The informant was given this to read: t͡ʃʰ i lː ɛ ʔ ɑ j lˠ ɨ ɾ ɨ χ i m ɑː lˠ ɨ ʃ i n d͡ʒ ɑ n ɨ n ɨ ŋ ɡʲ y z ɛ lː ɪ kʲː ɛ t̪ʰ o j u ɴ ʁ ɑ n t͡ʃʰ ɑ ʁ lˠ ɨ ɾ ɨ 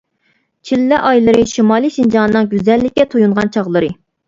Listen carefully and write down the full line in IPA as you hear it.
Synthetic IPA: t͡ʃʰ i lː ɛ ʔ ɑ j lˠ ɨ ɾ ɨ ʃ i m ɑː lˠ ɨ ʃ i n d͡ʒ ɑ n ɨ n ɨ ŋ ɡʲ y z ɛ lː ɪ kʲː ɛ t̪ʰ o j u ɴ ʁ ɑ n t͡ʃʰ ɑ ʁ lˠ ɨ ɾ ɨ